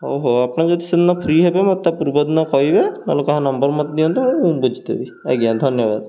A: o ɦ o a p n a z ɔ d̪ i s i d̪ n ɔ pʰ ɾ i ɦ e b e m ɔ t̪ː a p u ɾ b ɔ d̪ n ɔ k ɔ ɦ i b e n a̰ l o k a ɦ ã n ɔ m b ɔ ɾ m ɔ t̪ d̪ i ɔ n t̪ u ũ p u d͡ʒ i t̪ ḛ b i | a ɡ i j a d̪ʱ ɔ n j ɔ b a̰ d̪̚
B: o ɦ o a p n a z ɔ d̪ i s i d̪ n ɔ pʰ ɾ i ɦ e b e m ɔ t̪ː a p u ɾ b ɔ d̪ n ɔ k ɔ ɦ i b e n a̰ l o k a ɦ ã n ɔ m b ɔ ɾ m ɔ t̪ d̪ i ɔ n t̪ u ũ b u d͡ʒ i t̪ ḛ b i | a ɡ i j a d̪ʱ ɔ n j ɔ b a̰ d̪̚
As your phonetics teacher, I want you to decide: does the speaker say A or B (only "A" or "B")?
B